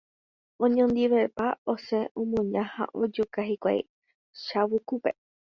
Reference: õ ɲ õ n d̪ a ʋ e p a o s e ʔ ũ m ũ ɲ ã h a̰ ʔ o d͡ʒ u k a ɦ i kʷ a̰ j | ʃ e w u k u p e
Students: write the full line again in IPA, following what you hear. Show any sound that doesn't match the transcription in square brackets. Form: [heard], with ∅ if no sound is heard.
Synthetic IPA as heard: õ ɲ õ n d̪ [i] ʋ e p a o s e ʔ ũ m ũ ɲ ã h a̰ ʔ o d͡ʒ u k a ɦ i kʷ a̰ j | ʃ [a] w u k u p e